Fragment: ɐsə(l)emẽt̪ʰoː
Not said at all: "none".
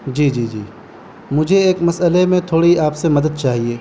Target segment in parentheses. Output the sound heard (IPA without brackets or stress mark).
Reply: l